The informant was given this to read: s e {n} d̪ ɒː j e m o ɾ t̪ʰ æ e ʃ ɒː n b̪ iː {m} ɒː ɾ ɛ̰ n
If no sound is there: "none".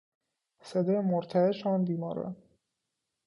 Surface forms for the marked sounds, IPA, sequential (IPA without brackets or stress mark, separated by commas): none, m